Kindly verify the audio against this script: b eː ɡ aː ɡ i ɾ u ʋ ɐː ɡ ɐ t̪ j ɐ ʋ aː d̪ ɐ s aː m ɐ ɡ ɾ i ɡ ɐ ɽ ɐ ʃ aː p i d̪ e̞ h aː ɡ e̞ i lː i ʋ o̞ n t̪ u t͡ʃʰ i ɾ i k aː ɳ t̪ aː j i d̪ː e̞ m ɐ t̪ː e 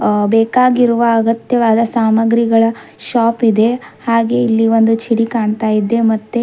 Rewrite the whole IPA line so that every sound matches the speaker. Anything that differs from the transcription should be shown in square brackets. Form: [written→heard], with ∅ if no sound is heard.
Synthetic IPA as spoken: b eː [ɡ→k] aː ɡ i ɾ u ʋ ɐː ɡ ɐ t̪ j ɐ ʋ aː d̪ ɐ s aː m ɐ ɡ ɾ i ɡ ɐ [ɽ→ɭ] ɐ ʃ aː p i d̪ e̞ h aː ɡ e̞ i lː i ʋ o̞ n [t̪→d̪] u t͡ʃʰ i [ɾ→ɽ] i k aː ɳ t̪ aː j i d̪ː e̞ m ɐ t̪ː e